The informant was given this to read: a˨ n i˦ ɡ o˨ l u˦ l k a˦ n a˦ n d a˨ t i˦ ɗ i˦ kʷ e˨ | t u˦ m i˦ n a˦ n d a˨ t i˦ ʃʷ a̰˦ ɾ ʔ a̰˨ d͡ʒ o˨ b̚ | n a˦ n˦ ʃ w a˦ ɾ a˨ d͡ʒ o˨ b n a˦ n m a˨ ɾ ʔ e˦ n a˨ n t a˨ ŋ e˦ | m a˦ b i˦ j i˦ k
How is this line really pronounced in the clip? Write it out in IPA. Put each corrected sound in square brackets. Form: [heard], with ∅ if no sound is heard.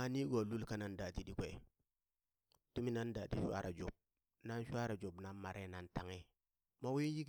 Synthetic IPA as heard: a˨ n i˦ ɡ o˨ l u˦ l k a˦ n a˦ n d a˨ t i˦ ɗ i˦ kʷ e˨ | t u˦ m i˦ n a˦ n d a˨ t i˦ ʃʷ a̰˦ ɾ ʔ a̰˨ d͡ʒ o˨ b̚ | n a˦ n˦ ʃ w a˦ ɾ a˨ d͡ʒ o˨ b n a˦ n m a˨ ɾ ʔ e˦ n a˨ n t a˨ ŋ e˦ | m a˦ [w] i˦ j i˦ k